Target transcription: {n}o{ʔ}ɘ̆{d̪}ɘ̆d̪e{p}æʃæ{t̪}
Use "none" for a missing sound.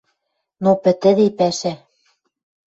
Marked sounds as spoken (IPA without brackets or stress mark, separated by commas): n, p, t̪, p, none